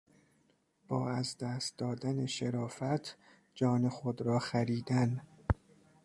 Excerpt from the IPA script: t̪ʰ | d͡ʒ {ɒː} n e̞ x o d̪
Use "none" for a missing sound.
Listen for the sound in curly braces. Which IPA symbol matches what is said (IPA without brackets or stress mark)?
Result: ɒː